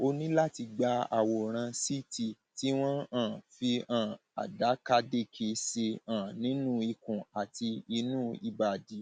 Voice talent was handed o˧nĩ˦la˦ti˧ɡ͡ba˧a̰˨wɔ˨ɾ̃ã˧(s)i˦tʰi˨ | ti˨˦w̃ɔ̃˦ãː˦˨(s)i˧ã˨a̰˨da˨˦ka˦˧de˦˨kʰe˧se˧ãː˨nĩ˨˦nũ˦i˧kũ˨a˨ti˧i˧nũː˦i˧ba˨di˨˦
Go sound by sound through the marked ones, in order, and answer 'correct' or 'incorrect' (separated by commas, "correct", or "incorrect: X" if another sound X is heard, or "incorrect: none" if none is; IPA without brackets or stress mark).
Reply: correct, incorrect: f